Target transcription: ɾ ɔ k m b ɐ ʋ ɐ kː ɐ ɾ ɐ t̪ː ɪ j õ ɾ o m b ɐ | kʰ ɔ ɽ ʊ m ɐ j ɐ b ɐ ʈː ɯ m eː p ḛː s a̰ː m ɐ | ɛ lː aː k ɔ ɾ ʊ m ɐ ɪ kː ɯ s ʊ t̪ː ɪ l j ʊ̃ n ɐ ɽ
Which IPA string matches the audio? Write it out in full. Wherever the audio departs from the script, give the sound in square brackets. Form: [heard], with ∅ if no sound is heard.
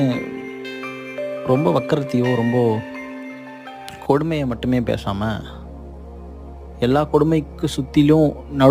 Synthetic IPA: ɾ ɔ [∅] m b ɐ ʋ ɐ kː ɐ ɾ ɐ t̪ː ɪ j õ ɾ [ɔ] m b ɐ | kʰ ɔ ɽ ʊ m ɐ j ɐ [m] ɐ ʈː ɯ m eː p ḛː s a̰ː m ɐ | ɛ lː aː k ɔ [ɽ] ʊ m ɐ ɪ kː ɯ s ʊ t̪ː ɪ l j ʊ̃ n ɐ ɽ